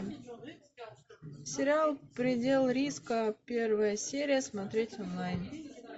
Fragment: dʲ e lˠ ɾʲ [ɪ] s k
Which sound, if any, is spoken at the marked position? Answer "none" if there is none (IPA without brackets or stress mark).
i